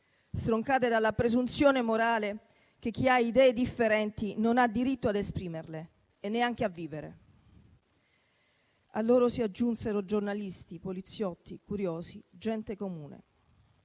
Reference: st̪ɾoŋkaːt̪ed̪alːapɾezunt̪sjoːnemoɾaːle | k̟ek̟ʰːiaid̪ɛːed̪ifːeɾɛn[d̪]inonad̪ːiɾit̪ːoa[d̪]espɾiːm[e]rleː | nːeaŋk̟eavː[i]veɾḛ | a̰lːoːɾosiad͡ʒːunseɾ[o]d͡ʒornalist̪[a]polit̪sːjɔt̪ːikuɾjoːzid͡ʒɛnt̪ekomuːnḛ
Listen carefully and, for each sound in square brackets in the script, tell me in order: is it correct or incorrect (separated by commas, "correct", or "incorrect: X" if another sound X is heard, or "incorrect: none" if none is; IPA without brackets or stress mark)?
incorrect: t̪, correct, correct, incorrect: iː, correct, incorrect: i